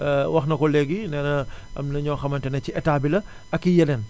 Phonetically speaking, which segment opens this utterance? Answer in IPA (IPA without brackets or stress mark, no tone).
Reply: w